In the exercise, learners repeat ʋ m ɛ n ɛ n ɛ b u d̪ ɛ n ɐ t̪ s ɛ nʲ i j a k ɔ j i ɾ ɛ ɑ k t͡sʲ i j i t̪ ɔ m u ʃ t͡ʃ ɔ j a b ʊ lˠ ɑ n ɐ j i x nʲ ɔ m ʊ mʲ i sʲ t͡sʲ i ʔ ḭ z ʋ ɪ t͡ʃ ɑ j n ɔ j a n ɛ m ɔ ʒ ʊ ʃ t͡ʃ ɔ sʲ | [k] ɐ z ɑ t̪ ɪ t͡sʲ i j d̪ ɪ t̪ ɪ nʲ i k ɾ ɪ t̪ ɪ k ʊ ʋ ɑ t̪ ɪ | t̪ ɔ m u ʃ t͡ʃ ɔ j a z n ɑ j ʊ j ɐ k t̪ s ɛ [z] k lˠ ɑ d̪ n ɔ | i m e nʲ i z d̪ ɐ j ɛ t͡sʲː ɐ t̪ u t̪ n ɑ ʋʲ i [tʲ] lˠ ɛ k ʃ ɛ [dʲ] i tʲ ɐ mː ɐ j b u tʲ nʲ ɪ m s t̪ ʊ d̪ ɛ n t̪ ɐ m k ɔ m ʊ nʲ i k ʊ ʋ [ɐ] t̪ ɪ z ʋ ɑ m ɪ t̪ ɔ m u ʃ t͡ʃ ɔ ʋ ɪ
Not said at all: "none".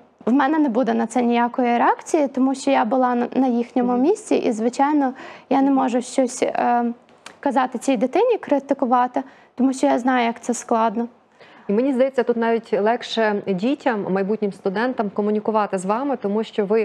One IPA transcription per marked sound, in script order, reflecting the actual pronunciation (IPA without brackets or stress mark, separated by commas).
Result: k, s, tʲ, dʲ, ɑ